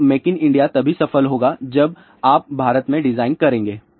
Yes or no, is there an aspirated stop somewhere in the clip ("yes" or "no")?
no